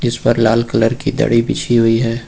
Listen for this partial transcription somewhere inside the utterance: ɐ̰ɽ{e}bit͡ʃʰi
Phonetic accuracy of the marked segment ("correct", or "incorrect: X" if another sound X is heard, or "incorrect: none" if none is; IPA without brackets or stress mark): incorrect: i